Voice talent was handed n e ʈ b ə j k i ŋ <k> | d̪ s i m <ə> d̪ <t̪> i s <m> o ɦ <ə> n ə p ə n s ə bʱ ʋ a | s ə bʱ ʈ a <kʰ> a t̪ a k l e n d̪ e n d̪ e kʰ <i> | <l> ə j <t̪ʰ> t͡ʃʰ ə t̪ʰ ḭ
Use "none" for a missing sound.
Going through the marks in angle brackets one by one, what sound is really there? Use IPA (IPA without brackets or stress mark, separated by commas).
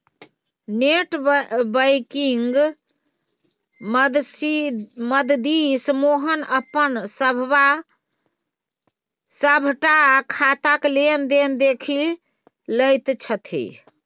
ɡ, ə, d̪, m, ə, kʰ, i, l, t̪